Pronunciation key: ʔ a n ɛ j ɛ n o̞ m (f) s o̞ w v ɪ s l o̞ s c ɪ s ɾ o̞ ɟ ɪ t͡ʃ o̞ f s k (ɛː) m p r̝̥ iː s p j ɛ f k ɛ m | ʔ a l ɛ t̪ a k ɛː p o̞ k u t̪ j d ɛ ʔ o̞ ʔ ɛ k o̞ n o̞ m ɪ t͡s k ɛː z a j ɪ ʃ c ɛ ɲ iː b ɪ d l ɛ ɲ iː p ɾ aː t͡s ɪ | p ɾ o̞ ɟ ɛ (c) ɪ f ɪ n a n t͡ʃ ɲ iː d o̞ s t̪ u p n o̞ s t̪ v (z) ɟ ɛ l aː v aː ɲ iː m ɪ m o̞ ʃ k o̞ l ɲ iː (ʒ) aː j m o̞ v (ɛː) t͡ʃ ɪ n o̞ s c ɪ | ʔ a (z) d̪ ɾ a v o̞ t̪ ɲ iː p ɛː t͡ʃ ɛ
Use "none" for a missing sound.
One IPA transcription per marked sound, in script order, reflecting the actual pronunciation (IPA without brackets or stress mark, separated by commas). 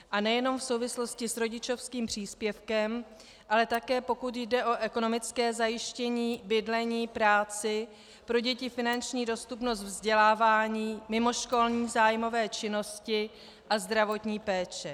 f, iː, c, z, z, ɛː, z